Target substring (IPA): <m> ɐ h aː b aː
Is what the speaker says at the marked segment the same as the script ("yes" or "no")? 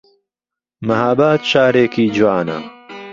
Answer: yes